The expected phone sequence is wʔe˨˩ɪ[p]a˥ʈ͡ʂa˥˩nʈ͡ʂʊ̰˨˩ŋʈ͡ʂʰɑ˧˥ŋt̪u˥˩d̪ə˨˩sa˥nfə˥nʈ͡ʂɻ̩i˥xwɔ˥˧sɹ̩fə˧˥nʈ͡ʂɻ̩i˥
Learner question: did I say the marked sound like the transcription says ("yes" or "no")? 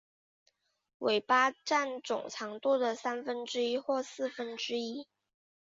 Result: yes